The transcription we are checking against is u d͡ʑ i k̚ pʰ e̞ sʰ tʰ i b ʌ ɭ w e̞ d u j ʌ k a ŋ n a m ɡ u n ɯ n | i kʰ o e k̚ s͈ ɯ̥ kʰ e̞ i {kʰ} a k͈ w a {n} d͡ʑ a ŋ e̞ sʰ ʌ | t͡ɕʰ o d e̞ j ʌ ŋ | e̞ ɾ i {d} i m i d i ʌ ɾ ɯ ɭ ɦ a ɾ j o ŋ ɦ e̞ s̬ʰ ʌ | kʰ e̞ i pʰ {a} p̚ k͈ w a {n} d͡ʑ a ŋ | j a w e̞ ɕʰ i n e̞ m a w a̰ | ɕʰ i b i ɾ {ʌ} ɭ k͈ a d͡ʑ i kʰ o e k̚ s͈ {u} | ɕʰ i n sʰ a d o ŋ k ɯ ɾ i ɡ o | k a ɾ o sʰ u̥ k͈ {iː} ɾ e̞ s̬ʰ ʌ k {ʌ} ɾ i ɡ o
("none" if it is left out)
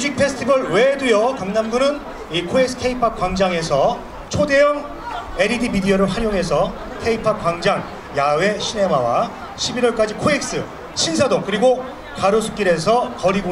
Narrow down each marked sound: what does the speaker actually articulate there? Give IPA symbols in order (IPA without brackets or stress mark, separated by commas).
pʰ, ŋ, d, a, ŋ, ʌ, ɯ, i, ʌ